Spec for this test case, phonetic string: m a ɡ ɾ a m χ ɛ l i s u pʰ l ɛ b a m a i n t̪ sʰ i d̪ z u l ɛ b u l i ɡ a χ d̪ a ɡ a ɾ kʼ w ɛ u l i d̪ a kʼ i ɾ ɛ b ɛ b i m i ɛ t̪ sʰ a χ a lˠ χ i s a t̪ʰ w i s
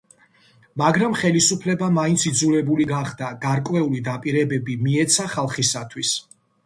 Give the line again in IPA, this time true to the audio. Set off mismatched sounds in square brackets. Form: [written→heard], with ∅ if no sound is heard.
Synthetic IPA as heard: m a ɡ ɾ a m χ ɛ l i s u pʰ l ɛ b a m a i n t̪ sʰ i d̪ z u l ɛ b u l i ɡ a χ d̪ a ɡ a ɾ kʼ w ɛ u l i d̪ a [kʼ→pʼ] i ɾ ɛ b ɛ b i m i ɛ t̪ sʰ a χ a lˠ χ i s a t̪ʰ w i s